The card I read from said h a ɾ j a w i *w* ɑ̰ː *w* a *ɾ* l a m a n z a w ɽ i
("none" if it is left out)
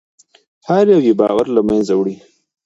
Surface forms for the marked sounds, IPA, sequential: b, ɣ, ɾ

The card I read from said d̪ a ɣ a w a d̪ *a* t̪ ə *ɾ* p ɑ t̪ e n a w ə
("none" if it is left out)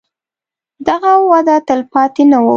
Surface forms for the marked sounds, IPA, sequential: a, l

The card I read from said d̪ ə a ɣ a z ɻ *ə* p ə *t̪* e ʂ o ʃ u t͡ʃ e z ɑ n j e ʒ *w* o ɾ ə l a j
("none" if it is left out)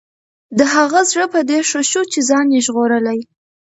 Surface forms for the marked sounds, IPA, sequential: ə, d̪, ɣ

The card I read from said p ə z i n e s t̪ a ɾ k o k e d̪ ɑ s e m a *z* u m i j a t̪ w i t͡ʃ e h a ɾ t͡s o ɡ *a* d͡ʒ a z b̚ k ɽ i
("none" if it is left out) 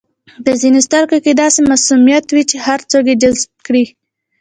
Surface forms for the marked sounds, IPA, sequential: s, e

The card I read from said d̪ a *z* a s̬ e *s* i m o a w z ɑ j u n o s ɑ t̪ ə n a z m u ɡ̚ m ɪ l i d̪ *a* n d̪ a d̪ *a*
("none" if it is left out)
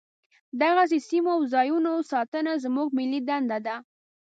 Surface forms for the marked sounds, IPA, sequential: ɣ, s, a, a

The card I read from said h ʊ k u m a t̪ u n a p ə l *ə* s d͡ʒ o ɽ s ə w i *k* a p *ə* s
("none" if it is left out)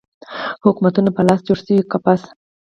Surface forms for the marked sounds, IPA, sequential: ɑ, k, a

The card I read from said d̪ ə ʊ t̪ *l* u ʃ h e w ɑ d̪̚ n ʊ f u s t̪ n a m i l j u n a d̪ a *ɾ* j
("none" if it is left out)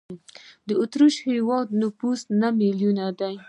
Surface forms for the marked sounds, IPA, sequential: ɾ, none

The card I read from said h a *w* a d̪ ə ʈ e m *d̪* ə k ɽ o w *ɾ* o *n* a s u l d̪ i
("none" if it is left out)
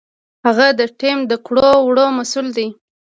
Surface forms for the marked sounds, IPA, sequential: ɣ, d̪, ɽ, m

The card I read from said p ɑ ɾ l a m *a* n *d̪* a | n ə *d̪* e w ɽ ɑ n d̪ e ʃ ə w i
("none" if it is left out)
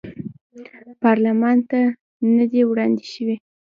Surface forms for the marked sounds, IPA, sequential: ɑ, t̪, d̪

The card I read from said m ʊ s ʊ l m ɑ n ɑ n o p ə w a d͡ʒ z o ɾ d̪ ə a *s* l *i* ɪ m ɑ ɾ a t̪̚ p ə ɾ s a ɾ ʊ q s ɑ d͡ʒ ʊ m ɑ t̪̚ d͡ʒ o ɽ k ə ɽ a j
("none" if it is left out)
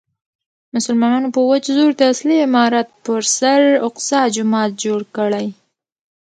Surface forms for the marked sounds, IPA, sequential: s, i

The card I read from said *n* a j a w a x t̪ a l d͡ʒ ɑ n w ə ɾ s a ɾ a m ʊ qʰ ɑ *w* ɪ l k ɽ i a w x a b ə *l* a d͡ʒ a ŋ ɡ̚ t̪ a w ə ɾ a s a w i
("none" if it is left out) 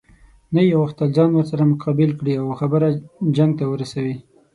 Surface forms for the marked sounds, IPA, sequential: n, b, ɾ

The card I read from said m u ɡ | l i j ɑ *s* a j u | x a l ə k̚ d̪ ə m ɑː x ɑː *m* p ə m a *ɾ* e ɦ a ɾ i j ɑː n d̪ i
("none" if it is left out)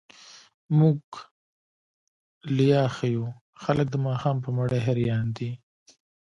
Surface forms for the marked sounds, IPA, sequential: x, m, ɽ

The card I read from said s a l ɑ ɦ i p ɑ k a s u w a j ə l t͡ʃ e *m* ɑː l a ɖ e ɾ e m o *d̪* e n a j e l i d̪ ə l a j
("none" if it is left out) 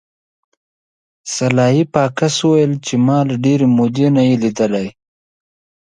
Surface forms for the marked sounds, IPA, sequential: m, d̪

